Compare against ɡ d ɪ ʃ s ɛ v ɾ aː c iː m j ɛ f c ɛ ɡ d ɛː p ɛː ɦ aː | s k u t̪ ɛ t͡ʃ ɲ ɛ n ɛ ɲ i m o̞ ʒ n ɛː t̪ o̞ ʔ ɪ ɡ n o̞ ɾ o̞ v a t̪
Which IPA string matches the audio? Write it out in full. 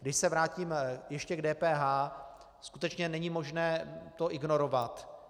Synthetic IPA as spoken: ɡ d ɪ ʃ s ɛ v ɾ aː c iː m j ɛ ʃ c ɛ ɡ d ɛː p ɛː ɦ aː | s k u t̪ ɛ t͡ʃ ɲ ɛ n ɛ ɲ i m o̞ ʒ n ɛː t̪ o̞ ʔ ɪ ɡ n o̞ ɾ o̞ v a t̪